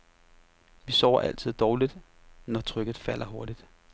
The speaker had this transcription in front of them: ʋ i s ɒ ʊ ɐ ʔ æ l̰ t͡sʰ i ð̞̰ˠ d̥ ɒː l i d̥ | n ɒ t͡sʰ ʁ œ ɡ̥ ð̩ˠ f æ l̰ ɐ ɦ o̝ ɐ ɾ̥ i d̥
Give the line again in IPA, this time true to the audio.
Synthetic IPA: ʋ i s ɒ ʊ ɐ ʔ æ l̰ t͡sʰ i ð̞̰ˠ d̥ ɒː l i d̥ | n ɒ t͡sʰ ʁ œ ɡ̥ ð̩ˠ f æ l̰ ɐ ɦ o̝ ɐ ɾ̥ i d̥